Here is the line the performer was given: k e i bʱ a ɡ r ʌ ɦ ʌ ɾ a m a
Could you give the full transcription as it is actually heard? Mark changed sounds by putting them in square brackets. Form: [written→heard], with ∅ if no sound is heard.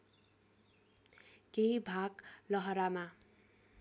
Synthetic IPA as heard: k e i bʱ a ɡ [r→l] ʌ ɦ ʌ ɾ a m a